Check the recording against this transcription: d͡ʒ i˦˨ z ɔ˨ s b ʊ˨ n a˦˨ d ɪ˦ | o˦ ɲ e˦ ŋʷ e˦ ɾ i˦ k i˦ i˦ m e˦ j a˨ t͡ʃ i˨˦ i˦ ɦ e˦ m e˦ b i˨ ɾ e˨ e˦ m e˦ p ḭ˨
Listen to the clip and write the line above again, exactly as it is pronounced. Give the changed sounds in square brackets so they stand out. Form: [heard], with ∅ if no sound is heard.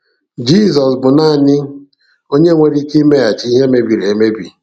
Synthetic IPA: d͡ʒ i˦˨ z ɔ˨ s b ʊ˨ n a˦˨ [n] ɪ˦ | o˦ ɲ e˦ ŋʷ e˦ ɾ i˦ k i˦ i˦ m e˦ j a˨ t͡ʃ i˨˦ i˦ ɦ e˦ m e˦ b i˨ ɾ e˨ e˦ m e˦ [b] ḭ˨